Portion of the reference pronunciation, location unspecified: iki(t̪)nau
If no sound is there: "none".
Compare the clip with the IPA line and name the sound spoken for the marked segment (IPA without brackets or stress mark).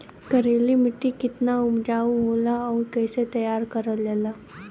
t̪